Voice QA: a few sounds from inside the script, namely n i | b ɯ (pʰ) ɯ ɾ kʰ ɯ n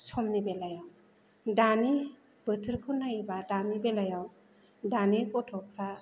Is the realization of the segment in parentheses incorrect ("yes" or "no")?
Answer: yes